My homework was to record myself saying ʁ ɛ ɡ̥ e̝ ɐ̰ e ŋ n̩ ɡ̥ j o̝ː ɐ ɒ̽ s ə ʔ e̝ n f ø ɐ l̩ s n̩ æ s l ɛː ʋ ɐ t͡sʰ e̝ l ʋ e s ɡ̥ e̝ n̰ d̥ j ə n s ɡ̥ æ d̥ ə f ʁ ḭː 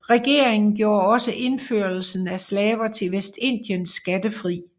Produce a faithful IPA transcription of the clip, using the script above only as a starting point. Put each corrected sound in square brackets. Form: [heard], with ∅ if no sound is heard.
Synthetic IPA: ʁ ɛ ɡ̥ e̝ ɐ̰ e ŋ n̩ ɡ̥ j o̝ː ɐ ɒ̽ s ə ʔ e̝ n f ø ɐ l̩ s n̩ æ s l ɛː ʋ ɐ t͡sʰ e̝ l ʋ e s [d̥] e̝ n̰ d̥ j ə n s ɡ̥ æ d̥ ə f ʁ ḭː